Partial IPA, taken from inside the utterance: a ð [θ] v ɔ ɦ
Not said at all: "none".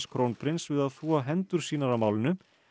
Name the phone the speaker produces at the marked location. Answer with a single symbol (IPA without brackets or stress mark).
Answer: θ